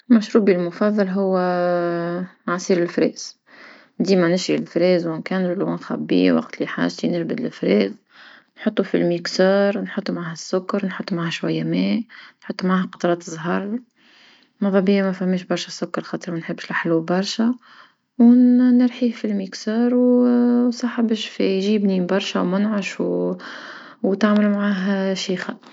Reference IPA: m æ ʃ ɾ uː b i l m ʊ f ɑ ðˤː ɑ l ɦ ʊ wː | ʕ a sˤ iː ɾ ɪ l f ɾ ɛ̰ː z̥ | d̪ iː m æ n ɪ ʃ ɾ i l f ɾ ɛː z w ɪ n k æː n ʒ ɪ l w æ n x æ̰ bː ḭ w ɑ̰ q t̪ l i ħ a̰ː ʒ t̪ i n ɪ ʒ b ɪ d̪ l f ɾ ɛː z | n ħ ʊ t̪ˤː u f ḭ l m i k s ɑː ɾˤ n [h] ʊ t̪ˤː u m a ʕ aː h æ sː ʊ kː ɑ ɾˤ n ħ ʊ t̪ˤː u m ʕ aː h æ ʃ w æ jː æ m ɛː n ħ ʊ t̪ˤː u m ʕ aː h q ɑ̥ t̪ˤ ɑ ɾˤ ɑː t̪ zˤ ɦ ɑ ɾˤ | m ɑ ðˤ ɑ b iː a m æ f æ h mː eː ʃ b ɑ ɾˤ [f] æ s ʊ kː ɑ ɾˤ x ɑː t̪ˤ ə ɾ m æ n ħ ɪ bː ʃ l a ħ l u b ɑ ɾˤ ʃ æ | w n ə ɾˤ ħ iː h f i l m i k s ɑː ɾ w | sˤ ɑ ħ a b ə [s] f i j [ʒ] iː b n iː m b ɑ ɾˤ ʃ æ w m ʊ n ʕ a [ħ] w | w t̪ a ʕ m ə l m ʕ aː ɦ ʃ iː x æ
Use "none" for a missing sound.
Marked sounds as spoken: ħ, ʃ, ʃ, ʒ, ʃ

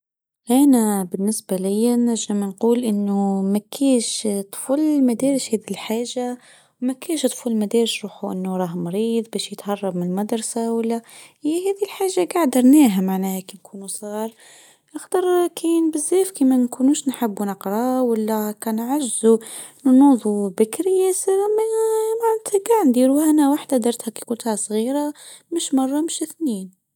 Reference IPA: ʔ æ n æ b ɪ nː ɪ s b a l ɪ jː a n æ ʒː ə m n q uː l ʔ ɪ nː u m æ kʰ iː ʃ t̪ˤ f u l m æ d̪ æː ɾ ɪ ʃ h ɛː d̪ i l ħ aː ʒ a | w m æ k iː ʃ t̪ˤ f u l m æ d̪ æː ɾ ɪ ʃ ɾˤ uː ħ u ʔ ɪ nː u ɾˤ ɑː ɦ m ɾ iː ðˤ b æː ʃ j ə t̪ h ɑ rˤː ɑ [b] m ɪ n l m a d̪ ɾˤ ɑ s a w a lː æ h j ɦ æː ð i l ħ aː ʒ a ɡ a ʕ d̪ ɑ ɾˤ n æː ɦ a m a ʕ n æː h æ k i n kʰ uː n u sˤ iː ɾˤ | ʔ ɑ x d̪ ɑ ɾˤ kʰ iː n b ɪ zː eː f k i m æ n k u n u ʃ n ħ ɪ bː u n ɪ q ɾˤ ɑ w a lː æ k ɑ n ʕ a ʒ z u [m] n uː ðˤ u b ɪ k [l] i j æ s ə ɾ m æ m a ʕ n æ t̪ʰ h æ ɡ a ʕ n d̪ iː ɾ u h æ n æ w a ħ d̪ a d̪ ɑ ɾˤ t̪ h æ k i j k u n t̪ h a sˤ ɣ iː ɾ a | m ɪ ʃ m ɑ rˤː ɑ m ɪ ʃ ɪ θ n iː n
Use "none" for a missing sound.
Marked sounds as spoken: b, n, ɾ

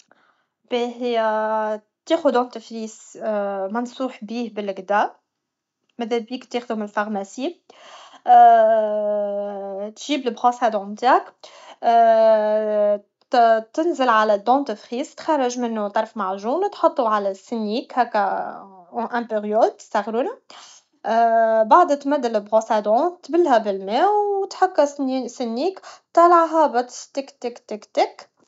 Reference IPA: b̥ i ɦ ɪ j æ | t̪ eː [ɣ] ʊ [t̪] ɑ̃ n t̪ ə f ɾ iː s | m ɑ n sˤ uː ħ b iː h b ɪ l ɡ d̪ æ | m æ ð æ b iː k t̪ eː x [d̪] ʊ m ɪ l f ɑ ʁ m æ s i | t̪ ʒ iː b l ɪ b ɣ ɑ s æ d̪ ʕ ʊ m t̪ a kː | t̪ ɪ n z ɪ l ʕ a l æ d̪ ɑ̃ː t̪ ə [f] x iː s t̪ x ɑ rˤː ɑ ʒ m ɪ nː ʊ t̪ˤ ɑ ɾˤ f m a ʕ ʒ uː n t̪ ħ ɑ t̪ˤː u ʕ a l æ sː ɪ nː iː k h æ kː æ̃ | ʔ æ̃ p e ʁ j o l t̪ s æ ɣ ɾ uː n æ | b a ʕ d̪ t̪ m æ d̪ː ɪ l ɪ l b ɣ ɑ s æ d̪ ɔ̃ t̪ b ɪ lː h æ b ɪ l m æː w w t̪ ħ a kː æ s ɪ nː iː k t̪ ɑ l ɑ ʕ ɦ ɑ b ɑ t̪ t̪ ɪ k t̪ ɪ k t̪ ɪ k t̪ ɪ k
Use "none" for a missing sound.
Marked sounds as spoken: x, d̪, d̪, f

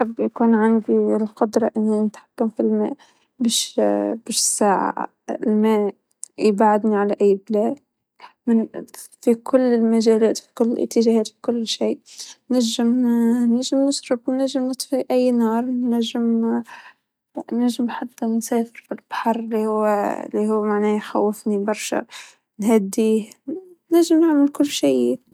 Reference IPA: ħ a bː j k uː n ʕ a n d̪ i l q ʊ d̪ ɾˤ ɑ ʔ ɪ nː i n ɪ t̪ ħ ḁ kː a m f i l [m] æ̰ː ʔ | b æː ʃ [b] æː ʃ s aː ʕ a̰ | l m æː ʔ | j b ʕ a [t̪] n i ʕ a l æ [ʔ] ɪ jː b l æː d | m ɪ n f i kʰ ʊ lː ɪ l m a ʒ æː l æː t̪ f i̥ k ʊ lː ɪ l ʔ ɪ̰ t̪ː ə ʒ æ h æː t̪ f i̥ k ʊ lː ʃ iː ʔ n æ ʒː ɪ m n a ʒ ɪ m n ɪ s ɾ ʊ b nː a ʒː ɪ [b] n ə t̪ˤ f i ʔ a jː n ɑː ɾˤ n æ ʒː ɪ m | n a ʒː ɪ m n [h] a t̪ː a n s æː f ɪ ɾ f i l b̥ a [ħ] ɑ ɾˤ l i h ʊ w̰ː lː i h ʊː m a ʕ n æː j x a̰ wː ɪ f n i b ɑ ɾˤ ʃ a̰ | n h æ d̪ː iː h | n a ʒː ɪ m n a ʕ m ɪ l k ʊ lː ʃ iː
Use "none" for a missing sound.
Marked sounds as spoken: m, b, d̪, ʔ, m, ħ, ħ

